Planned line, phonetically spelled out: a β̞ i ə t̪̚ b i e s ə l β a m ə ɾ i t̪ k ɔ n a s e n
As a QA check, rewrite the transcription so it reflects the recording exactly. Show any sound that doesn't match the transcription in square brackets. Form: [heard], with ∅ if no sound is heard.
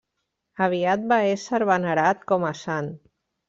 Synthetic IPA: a β̞ i [a] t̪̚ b [a] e s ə [ɾ] β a [n] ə ɾ [a] t̪ k ɔ [m] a s [a] n